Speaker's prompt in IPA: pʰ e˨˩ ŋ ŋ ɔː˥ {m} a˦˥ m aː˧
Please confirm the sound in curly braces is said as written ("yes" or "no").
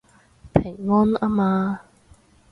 no